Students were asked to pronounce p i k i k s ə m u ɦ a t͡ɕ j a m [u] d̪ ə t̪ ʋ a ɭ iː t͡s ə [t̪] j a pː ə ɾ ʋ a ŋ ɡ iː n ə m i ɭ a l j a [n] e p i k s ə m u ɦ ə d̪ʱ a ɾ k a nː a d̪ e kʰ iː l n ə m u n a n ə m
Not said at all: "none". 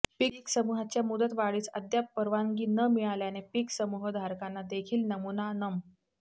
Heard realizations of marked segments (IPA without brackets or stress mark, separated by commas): u, d̪, n